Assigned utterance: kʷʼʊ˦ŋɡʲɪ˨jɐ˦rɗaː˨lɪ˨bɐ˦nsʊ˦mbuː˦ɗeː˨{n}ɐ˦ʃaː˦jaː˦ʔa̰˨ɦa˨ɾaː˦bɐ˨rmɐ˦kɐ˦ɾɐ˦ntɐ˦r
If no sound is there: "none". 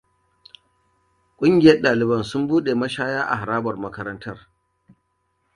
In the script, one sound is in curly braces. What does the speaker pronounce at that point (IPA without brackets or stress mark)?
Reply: m